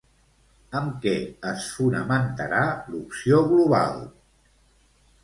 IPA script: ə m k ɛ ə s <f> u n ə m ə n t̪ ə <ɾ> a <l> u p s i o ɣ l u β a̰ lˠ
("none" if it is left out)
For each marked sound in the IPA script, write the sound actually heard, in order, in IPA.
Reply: f, ɾ, l

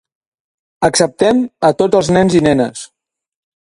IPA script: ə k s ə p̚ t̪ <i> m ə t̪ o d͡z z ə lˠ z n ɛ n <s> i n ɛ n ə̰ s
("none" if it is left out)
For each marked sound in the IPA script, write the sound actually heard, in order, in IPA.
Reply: ɛ, z

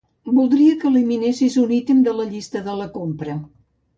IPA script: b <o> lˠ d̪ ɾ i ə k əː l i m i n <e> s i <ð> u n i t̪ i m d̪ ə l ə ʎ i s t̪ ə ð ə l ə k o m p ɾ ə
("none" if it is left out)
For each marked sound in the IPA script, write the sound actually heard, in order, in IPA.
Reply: u, e, z

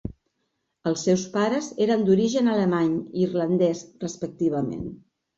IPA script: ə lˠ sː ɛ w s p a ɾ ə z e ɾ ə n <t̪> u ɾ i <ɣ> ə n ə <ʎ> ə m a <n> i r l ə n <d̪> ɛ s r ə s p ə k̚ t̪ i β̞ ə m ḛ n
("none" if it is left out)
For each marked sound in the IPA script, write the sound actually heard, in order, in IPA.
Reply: d̪, ʒ, l, ɲ, d̪

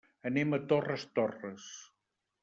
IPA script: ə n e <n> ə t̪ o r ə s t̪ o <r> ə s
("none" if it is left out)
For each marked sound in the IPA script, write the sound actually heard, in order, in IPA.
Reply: m, r

